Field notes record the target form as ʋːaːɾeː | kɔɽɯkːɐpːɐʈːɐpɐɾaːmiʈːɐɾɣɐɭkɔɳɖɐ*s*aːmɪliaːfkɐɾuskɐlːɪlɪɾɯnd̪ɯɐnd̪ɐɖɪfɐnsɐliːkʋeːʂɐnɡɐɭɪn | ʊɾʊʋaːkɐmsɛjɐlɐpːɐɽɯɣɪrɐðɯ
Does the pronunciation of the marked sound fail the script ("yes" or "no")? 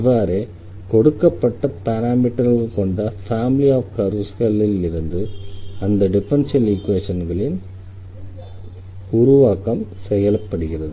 yes